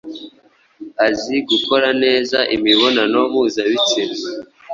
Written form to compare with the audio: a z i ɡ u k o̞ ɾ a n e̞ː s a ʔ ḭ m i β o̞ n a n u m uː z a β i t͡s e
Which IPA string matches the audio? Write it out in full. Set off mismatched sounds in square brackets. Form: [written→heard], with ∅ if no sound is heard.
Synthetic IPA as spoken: a z i ɡ u k o̞ ɾ a n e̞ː [s→z] a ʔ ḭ m i β o̞ n a n [u→o] m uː z a β i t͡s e